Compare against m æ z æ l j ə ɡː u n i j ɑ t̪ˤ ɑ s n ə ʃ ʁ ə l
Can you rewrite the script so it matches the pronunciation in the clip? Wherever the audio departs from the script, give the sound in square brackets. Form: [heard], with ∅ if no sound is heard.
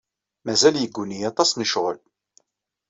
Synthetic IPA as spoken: m æ z æ l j ə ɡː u n i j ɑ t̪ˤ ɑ s n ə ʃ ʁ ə l